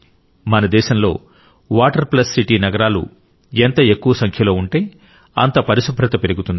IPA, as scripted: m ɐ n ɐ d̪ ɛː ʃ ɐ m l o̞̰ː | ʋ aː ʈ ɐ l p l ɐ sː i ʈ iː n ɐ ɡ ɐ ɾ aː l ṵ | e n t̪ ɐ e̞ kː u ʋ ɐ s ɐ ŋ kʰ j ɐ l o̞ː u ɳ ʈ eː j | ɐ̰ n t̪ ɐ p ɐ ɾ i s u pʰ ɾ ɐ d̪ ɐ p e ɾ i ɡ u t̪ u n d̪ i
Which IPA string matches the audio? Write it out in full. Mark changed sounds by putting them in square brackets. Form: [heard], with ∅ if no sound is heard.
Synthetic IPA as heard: m ɐ n ɐ d̪ ɛː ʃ ɐ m l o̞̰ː | ʋ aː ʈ ɐ [ɾ] p l ɐ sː i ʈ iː n ɐ ɡ ɐ ɾ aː l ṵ | e n t̪ ɐ e̞ kː u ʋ ɐ s ɐ ŋ kʰ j ɐ l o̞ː u ɳ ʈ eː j | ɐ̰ n t̪ ɐ p ɐ ɾ i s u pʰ ɾ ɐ [t̪] ɐ p e ɾ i ɡ u t̪ u n d̪ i